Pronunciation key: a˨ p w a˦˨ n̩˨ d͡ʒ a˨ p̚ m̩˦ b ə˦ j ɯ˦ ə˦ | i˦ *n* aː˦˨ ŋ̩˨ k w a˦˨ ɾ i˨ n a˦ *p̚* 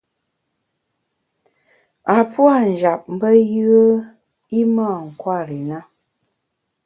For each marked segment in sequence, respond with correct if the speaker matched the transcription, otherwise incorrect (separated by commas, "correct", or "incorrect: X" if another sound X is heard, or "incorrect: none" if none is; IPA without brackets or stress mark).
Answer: incorrect: m, incorrect: none